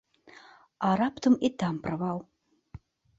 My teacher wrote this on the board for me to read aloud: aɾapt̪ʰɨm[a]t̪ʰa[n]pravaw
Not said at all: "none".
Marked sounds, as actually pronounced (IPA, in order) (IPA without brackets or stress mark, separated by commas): i, m